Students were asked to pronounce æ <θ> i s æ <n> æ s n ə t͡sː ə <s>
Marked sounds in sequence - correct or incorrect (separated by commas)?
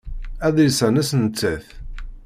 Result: incorrect, correct, incorrect